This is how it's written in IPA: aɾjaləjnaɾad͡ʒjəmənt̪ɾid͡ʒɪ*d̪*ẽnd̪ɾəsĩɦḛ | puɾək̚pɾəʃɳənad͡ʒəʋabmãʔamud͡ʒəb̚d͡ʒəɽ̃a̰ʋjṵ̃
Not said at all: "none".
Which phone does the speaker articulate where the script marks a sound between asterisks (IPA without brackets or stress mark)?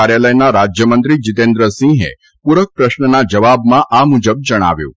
t̪